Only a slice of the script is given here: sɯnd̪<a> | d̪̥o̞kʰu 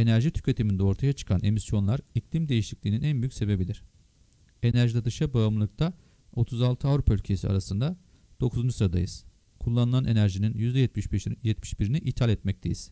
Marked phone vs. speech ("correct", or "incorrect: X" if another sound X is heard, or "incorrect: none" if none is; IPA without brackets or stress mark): correct